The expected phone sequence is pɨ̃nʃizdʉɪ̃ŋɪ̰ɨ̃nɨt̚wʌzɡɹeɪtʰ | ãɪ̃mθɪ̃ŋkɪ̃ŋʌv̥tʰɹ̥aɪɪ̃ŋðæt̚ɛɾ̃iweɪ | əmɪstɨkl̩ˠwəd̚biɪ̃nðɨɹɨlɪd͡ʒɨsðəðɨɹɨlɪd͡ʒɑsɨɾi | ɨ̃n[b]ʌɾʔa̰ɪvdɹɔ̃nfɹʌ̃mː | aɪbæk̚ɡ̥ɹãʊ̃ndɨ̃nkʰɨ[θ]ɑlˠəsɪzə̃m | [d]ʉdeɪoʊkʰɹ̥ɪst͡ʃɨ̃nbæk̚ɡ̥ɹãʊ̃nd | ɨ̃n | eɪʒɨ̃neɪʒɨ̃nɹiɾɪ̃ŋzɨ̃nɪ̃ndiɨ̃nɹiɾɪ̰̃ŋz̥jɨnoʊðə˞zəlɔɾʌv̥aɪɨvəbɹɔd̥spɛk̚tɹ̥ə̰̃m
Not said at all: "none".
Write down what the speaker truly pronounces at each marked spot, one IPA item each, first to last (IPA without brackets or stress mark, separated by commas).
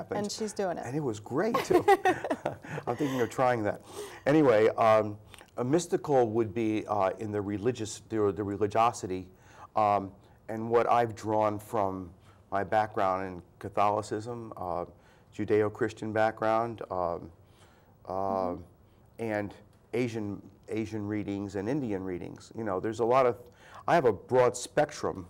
w, θ, d͡ʒ